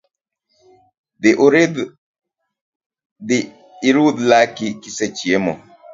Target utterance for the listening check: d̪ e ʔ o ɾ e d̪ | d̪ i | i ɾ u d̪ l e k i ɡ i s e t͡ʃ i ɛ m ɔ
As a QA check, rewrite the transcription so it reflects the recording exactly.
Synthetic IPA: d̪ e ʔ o ɾ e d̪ | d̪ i | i ɾ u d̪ l a k i k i s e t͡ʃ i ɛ m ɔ

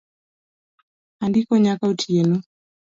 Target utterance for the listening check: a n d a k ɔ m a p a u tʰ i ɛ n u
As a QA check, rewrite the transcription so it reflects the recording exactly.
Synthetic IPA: a n d i k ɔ ɲ a k a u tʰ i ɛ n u

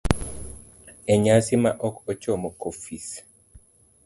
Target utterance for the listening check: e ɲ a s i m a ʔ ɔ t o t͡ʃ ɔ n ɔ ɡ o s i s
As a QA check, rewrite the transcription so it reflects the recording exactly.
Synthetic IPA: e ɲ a s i m a ʔ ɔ k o t͡ʃ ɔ m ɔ k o f i s

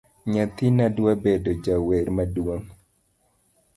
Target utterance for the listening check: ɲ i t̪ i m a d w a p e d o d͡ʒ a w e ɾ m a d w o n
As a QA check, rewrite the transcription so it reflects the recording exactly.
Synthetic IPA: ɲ a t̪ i n a d w a b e d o d͡ʒ a w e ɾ m a d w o ŋ

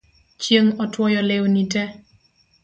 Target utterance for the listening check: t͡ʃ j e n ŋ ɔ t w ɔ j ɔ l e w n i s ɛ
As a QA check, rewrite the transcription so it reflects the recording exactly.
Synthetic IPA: t͡ʃ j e ŋ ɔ t w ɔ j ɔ l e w n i t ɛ

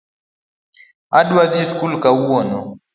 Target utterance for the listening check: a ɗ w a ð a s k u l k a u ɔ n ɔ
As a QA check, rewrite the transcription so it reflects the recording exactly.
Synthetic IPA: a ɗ w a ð i s k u l k a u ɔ n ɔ

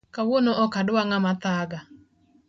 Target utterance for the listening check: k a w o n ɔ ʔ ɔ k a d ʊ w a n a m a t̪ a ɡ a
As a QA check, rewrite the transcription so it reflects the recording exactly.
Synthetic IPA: k a w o n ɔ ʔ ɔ k a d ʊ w a ŋ a m a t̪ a ɡ a

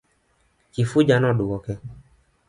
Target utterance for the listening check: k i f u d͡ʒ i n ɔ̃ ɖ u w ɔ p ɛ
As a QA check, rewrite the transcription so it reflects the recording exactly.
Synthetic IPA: k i f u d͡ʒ a n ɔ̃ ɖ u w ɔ k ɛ

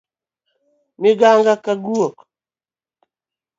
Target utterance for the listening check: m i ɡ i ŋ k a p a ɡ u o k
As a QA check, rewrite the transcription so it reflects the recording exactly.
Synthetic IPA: m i ɡ a ŋ ɡ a k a ɡ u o k

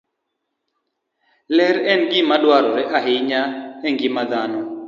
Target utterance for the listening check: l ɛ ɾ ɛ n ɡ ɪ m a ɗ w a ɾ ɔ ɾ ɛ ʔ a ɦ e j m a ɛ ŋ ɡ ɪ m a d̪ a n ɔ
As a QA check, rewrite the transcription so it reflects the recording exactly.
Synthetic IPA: l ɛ ɾ ɛ n ɡ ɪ m a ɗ w a ɾ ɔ ɾ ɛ ʔ a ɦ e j ɲ a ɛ ŋ ɡ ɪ m a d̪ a n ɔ

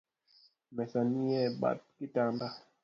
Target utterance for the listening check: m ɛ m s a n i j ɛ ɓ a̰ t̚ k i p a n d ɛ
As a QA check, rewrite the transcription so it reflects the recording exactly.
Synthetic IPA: m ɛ s a n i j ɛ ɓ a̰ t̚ k i t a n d a

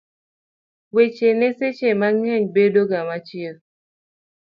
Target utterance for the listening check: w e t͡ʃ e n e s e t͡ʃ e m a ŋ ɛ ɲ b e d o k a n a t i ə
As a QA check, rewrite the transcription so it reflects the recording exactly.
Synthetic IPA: w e t͡ʃ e n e s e t͡ʃ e m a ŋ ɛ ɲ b e d o ɡ a m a t͡ʃ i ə

